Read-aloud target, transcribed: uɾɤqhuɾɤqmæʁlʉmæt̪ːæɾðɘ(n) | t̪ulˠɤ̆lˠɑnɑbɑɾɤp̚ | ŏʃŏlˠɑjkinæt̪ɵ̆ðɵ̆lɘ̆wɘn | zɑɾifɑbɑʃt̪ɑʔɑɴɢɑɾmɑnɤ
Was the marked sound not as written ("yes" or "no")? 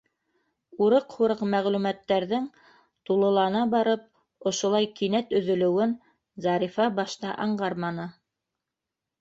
yes